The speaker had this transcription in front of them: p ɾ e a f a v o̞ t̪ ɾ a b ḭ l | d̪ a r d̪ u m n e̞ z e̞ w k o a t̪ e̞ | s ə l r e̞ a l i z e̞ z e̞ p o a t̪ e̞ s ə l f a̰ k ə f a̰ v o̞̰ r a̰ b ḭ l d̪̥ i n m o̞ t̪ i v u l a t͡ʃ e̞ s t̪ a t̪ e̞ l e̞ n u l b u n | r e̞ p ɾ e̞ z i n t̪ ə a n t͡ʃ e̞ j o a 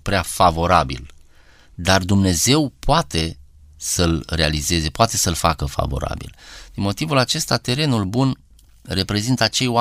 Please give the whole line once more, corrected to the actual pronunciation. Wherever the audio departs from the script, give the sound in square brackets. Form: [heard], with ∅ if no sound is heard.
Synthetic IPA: p ɾ e a f a v o̞ [∅] ɾ a b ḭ l | d̪ a r d̪ u m n e̞ z e̞ w [p] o a t̪ e̞ | s ə l r e̞ a l i z e̞ z e̞ p o a t̪ e̞ s ə l f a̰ k ə f a̰ v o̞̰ [ɾ] a̰ b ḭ l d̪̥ i n m o̞ t̪ i v u l a t͡ʃ e̞ s t̪ a t̪ e̞ [ɾ] e̞ n u l b u n | r e̞ p ɾ e̞ z i n t̪ ə a [∅] t͡ʃ e̞ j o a